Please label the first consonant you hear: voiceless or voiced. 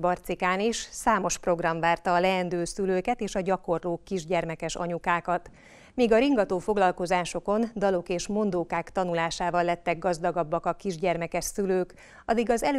voiced